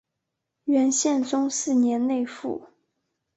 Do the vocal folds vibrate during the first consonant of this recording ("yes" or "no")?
yes